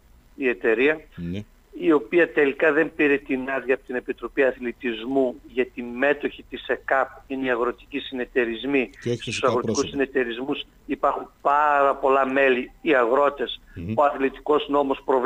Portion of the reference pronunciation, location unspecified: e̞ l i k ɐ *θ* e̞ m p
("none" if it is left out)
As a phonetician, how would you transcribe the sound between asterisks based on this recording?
ð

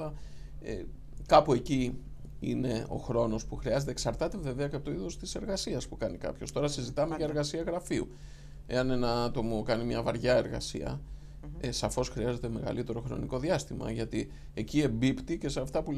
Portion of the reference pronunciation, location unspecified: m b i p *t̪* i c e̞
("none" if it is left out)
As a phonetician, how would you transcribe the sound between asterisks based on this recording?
t̪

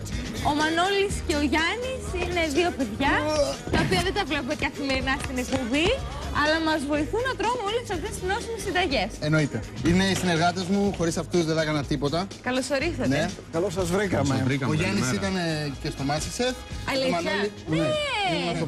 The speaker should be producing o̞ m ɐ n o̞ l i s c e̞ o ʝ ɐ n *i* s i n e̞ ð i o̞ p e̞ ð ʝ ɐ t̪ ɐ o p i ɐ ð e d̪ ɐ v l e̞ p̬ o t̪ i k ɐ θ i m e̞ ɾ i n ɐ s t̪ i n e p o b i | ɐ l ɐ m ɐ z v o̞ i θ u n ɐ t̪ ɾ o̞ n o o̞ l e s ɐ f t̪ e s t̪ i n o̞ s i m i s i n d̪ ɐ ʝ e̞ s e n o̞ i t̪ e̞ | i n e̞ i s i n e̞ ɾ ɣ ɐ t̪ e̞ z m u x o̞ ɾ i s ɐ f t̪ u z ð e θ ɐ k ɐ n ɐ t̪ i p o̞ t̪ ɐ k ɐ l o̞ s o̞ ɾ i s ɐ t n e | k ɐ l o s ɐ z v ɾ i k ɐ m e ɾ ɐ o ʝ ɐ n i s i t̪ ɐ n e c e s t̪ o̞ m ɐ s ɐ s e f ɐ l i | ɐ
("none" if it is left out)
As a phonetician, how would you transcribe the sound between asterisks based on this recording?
i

